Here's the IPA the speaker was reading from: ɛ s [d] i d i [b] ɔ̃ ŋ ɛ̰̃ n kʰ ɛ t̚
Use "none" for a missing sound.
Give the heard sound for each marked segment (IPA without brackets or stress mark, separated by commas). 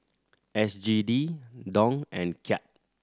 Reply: d͡ʒ, d